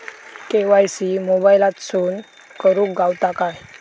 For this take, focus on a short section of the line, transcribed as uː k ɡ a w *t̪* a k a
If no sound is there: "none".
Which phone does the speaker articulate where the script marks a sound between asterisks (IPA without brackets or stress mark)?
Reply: t̪